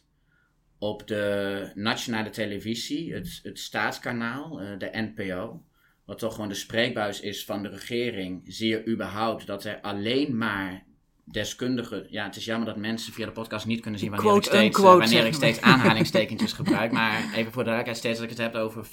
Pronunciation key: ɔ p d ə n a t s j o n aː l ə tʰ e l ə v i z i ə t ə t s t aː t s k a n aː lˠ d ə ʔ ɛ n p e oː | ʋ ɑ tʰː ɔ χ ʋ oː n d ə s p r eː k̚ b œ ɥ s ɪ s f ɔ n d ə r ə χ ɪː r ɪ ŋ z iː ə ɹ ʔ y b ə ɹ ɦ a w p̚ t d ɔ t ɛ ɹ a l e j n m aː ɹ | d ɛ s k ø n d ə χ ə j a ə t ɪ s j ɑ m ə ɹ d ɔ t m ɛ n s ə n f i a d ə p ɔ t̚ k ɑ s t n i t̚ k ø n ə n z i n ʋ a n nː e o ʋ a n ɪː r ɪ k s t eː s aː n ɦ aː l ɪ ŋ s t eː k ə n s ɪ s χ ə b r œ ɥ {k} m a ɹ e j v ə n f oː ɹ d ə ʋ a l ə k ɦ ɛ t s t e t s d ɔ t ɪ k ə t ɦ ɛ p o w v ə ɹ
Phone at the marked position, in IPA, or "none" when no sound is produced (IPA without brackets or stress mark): k